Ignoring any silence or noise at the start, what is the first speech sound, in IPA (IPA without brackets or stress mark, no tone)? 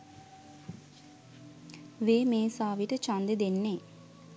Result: ʋ